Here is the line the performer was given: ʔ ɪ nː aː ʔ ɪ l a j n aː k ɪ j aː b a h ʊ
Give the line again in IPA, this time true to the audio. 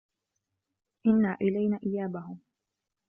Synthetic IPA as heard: ʔ ɪ nː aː ʔ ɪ l a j n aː ʔ ɪ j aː b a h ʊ